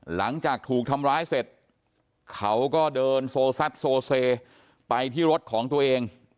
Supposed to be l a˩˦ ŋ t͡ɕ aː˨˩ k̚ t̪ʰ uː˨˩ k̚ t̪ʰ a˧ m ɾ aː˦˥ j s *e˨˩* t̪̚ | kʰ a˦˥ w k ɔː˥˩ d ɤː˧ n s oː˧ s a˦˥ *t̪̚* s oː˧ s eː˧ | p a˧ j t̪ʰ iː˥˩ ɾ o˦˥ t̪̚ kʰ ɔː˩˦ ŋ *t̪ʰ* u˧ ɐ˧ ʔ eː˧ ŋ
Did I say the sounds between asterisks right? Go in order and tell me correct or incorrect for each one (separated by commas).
correct, correct, incorrect